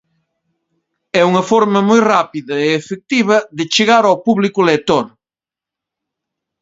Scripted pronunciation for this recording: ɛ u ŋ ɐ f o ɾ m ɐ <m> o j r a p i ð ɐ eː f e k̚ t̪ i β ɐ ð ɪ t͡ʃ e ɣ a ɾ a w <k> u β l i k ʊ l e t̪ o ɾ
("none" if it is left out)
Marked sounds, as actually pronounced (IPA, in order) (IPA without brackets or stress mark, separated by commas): m, p